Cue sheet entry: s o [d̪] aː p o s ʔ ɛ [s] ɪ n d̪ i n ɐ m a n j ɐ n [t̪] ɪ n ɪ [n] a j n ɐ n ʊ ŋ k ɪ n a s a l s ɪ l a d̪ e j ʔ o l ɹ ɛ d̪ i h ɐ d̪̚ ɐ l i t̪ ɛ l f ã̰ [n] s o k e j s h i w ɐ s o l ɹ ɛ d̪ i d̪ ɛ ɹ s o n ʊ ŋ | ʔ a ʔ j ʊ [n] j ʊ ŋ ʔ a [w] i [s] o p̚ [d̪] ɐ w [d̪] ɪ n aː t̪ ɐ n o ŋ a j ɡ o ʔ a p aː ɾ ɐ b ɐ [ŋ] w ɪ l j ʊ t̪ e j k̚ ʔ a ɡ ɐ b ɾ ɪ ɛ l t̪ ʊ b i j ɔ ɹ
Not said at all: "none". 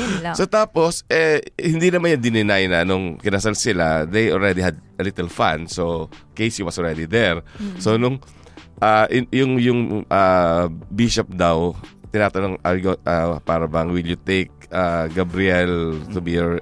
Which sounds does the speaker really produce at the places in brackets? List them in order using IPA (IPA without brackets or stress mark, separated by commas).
t̪, h, d̪, n, n, ŋ, b, ʃ, d̪, t̪, ŋ